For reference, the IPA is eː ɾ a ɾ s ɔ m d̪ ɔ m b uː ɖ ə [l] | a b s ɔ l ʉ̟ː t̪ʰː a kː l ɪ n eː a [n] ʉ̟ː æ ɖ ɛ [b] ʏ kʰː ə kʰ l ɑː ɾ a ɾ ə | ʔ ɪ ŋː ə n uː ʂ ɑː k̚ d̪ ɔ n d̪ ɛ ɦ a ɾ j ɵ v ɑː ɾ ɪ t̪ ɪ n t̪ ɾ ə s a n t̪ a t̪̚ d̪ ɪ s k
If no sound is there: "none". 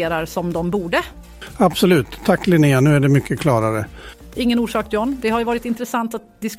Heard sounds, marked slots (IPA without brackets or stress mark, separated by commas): none, n, m